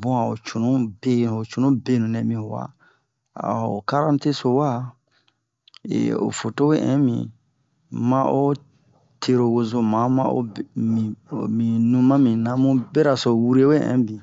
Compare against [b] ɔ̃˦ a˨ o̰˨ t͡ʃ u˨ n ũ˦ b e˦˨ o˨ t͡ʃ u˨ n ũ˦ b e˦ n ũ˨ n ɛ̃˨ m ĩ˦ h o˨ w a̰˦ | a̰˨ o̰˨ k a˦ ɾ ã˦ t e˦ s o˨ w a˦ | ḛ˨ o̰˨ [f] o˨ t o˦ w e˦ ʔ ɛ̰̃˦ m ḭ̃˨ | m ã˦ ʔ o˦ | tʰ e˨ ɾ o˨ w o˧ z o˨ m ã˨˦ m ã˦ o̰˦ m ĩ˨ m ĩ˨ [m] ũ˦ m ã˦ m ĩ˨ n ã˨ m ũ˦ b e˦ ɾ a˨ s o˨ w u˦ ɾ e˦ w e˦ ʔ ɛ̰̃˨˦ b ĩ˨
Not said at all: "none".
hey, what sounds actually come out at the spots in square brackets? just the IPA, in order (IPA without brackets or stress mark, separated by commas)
b, f, n